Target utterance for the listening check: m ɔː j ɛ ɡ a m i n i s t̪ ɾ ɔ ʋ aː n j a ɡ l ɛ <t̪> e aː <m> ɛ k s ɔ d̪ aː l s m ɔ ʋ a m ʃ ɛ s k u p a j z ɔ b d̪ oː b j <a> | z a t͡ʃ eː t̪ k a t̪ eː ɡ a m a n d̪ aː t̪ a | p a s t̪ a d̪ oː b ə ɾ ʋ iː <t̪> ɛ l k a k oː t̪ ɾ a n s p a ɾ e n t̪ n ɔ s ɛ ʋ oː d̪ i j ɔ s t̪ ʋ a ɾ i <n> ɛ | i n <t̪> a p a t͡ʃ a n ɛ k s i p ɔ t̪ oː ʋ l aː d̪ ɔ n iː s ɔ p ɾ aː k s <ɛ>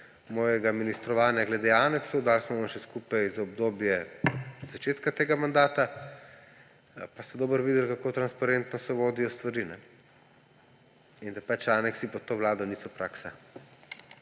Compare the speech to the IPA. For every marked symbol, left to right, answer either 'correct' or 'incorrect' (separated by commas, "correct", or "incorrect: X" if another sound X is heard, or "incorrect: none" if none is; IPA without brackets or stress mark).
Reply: incorrect: d̪, incorrect: n, incorrect: ɛ, incorrect: d̪, correct, incorrect: d̪, incorrect: a